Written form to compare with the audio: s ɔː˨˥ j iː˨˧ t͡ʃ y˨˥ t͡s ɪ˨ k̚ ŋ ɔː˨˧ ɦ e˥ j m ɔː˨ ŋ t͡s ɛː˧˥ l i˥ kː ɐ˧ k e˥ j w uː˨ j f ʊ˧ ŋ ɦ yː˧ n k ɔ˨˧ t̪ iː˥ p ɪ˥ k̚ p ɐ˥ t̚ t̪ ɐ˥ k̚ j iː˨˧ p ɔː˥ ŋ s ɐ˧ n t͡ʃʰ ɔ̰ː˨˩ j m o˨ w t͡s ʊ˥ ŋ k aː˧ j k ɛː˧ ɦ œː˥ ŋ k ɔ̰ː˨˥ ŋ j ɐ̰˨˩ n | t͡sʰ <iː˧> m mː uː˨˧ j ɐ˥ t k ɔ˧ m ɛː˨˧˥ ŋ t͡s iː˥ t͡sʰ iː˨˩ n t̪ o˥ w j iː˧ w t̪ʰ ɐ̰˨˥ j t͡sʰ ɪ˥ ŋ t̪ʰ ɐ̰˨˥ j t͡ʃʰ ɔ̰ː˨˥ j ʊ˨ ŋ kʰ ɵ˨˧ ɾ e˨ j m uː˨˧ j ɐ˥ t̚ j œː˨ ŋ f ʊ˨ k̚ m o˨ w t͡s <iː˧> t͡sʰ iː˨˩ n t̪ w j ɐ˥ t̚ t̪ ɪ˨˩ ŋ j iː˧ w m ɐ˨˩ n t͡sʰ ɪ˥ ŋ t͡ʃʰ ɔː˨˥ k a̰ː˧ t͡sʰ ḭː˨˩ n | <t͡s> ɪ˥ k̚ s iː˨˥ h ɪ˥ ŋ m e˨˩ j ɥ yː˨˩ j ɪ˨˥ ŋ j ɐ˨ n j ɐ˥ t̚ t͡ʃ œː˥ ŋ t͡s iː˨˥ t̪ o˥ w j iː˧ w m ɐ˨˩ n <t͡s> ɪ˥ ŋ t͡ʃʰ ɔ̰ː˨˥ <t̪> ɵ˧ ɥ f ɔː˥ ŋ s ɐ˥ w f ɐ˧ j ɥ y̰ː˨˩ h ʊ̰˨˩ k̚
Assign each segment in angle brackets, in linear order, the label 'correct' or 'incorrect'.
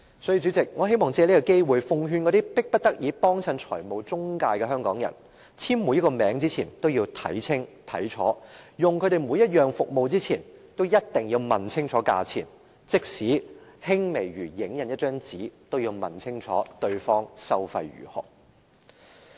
incorrect, incorrect, correct, incorrect, correct

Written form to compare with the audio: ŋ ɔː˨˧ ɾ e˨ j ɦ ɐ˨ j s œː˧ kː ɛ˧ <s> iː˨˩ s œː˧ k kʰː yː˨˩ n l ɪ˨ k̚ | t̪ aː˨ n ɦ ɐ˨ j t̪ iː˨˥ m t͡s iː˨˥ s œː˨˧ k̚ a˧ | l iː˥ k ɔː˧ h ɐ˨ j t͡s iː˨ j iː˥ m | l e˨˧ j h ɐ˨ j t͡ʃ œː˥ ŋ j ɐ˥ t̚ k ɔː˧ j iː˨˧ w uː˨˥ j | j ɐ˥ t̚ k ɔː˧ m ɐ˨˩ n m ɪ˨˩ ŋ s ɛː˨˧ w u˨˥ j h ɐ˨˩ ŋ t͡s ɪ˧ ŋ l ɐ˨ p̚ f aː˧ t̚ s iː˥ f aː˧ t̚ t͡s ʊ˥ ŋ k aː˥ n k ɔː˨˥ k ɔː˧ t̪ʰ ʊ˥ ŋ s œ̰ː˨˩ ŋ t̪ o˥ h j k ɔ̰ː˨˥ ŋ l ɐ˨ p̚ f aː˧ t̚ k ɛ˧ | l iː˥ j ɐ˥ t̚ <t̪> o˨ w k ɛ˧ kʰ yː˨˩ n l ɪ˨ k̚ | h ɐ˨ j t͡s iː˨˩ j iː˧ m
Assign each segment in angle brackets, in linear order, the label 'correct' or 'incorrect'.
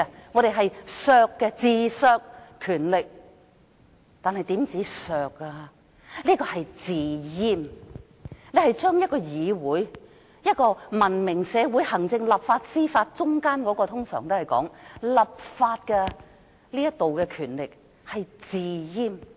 incorrect, correct

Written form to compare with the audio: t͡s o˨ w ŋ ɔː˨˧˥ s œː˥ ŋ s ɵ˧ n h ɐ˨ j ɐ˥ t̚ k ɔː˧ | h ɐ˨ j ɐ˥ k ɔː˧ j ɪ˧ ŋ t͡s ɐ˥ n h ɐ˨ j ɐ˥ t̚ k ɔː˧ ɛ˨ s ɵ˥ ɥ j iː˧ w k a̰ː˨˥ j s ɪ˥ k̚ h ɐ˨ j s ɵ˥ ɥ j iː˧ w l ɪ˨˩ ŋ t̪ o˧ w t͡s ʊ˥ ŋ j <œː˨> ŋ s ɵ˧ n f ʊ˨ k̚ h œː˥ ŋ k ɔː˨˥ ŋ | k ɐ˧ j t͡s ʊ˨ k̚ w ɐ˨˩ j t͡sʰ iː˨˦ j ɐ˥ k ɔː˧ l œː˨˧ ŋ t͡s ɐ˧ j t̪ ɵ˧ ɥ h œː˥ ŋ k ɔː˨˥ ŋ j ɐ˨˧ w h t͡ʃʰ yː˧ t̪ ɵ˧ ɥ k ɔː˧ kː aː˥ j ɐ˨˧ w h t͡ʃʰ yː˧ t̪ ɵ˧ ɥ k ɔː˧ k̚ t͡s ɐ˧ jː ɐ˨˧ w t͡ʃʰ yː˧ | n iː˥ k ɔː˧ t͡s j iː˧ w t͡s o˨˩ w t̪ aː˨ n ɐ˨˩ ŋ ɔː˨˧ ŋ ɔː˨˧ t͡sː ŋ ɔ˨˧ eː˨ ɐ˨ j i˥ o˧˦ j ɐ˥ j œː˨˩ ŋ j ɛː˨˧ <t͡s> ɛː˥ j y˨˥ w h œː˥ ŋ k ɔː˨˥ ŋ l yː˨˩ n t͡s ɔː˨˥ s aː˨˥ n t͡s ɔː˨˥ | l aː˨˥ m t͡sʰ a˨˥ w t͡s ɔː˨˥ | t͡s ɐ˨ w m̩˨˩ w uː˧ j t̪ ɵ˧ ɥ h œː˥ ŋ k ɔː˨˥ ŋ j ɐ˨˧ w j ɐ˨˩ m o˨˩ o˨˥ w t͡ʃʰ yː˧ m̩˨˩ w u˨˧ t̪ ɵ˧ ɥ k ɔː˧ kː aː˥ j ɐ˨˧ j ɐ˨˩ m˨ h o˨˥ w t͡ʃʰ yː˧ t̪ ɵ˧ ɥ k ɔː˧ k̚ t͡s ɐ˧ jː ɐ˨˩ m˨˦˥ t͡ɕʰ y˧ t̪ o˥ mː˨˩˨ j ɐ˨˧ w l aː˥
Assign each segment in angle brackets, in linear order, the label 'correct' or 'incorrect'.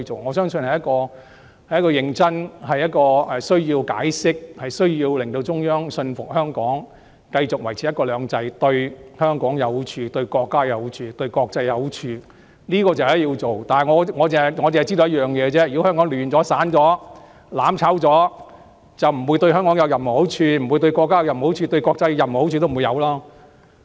incorrect, correct

